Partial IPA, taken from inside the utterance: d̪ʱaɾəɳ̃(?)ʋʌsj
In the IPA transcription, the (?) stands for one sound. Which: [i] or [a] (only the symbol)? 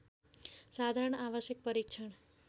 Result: a